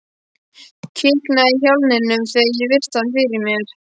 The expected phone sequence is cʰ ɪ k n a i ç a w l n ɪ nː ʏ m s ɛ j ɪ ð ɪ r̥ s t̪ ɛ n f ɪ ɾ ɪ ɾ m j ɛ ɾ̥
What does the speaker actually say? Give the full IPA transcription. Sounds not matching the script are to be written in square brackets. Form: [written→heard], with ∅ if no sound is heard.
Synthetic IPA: cʰ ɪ k n a i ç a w l n ɪ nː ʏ m [s→θ] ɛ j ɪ [ð→v] ɪ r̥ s t̪ [ɛ→a] n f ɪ ɾ ɪ ɾ m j ɛ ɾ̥